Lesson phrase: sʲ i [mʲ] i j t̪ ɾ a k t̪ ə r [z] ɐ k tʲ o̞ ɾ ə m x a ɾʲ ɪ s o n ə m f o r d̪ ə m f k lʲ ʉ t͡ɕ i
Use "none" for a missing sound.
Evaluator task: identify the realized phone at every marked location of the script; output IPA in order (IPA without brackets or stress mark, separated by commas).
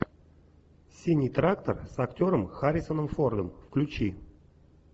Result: nʲ, s